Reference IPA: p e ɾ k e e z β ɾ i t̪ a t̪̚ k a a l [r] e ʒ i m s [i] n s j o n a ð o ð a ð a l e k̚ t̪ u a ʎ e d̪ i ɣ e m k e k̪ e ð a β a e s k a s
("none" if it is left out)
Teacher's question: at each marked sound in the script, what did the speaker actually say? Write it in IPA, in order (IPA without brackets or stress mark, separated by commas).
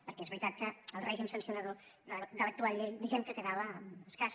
r, a